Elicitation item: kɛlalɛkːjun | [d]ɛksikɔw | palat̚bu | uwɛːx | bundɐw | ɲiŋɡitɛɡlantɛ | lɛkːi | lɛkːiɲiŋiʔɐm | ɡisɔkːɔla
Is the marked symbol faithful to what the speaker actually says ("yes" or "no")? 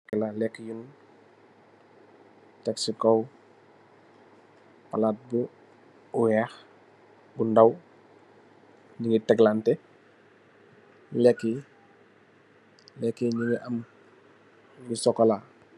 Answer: no